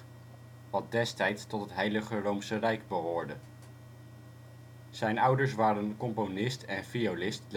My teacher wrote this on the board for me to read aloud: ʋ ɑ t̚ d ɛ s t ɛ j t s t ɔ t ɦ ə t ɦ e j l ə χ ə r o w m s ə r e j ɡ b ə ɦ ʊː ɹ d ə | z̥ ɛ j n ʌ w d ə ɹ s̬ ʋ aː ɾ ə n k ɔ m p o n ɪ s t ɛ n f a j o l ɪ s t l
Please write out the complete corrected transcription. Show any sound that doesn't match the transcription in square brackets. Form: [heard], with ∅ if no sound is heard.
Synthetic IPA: ʋ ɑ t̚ d ɛ s t ɛ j t s t ɔ t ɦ ə t ɦ e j l ə χ ə r o w m s ə r [ɛ] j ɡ b ə ɦ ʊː ɹ d ə | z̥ ɛ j n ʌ w d ə ɹ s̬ ʋ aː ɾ ə n k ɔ m p o n ɪ s t ɛ n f [i] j o l ɪ s t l